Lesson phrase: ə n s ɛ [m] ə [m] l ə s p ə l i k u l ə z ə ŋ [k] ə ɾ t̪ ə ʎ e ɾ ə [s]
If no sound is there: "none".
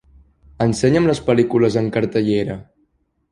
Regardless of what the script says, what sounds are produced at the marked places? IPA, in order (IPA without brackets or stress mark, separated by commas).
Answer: ɲ, m, k, none